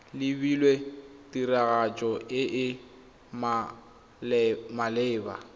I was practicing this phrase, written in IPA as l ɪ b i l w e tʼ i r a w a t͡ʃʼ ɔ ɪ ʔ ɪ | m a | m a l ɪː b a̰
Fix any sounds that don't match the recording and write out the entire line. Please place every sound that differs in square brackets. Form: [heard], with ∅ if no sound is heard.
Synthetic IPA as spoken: l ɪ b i l w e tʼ i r a [ɣ] a t͡ʃʼ ɔ ɪ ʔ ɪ | m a | m a l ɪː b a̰